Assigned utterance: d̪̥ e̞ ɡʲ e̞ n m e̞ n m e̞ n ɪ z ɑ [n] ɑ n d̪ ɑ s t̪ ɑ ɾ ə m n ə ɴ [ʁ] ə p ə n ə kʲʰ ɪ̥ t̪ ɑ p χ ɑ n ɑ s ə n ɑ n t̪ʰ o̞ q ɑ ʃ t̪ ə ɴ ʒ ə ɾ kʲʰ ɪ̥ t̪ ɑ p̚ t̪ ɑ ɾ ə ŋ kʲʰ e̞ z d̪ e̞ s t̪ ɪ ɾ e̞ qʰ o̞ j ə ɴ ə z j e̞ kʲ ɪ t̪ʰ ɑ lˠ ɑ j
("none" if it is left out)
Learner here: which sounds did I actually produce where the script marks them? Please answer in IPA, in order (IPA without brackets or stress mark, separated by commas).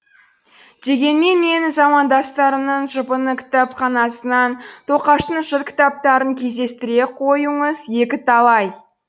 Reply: m, ʒ